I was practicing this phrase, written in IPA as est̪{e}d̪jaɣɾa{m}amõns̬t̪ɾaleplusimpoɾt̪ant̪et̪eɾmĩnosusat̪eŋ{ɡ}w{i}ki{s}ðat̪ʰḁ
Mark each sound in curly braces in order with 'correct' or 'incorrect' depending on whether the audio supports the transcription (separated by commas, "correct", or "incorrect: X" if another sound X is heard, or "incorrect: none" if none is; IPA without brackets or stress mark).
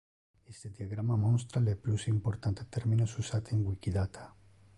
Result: correct, correct, correct, correct, incorrect: none